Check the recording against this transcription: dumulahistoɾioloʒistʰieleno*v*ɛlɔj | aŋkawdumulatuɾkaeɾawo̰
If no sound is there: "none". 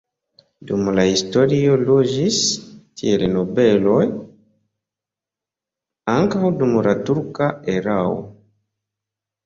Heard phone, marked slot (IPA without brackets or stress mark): b